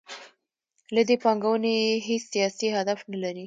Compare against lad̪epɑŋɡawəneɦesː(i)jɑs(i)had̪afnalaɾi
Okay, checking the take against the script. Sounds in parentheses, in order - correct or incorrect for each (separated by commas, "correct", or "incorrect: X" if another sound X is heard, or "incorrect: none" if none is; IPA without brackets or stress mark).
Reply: correct, correct